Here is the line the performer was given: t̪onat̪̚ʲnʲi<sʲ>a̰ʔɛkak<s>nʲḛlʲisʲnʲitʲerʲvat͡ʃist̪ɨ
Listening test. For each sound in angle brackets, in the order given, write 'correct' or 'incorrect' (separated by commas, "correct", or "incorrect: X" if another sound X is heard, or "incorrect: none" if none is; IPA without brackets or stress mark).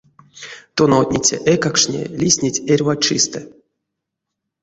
incorrect: t͡sʲ, incorrect: ʂ